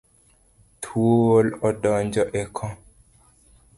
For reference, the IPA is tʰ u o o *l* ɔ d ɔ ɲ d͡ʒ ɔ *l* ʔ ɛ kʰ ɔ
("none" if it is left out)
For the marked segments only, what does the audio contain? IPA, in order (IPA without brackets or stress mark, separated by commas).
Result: l, none